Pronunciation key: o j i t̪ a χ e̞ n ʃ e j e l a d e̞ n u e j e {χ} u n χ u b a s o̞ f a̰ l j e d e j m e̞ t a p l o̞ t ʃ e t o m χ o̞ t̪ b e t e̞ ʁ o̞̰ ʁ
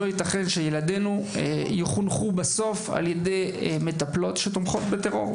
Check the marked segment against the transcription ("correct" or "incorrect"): correct